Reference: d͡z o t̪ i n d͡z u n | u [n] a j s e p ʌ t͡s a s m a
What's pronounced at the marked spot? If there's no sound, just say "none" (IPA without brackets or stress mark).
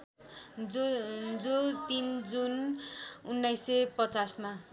nː